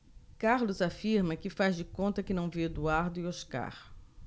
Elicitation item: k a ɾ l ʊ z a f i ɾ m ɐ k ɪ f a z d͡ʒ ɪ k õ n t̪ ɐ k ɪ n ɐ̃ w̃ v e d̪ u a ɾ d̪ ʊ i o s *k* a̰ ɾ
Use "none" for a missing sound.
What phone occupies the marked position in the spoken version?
k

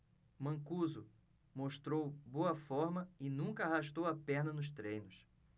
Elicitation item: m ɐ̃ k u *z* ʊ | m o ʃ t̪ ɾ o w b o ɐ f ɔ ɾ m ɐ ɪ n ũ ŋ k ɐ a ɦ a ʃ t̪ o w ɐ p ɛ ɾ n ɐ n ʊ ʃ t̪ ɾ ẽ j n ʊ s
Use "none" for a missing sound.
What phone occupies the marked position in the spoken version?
z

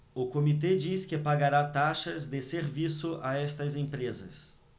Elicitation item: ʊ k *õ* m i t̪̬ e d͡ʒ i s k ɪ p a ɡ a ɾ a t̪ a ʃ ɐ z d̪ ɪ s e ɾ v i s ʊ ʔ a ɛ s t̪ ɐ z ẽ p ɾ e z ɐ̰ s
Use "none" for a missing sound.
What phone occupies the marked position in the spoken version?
o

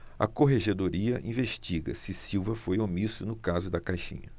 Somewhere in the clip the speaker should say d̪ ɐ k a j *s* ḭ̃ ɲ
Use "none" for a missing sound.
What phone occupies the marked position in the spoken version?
ʃ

